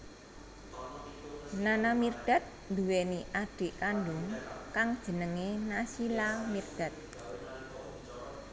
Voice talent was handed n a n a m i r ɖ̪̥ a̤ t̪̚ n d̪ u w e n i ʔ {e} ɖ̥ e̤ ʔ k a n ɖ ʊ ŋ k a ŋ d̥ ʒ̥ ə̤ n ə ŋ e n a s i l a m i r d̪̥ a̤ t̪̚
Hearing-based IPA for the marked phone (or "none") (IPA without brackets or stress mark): a